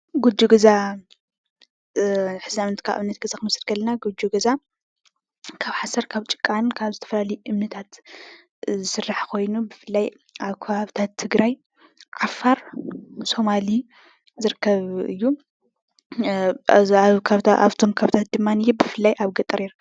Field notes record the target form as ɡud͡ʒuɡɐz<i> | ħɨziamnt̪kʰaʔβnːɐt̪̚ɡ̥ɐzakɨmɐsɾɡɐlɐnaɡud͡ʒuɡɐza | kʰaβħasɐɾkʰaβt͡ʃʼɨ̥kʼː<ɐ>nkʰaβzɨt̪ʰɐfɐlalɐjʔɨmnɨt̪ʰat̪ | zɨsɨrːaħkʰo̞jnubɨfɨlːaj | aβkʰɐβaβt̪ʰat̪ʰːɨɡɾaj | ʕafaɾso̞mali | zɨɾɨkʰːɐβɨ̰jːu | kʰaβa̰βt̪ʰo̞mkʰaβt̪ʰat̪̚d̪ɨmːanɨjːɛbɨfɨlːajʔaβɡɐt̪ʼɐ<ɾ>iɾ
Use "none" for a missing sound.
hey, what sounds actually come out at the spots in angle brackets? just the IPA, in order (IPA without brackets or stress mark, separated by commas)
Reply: a, a, ɾ